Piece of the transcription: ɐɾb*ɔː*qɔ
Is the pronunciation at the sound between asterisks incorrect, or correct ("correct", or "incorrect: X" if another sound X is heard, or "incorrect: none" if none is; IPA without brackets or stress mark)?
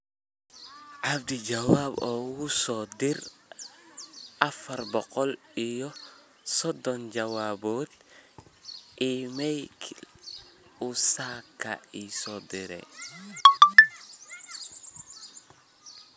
incorrect: ɔ